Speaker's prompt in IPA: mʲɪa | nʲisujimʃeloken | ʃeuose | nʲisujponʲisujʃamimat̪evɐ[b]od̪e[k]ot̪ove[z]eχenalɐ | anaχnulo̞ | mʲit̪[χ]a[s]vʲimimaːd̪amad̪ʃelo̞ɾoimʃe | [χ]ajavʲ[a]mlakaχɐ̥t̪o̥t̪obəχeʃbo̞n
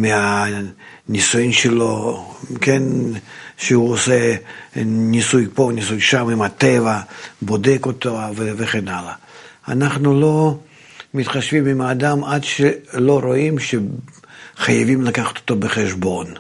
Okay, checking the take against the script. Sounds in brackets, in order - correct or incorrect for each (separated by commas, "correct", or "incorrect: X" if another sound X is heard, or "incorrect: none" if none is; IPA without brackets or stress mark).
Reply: correct, correct, incorrect: v, correct, incorrect: ʃ, correct, incorrect: i